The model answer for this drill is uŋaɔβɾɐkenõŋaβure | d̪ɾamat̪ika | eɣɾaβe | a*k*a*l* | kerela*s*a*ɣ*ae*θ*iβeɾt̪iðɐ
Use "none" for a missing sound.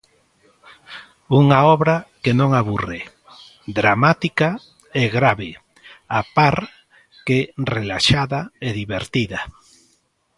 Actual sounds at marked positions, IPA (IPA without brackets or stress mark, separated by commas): p, ɾ, ʃ, ð, ð